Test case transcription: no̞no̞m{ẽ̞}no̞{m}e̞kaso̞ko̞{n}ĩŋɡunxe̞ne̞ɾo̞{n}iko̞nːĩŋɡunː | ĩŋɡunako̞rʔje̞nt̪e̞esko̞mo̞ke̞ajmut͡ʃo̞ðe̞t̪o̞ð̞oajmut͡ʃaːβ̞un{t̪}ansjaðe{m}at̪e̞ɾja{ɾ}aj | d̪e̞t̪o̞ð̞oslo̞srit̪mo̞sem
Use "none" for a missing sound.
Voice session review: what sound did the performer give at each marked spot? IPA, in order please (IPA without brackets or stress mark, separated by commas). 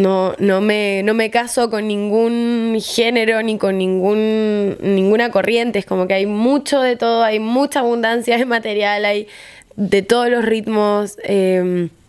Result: e̞, m, nː, n, d̪, m, l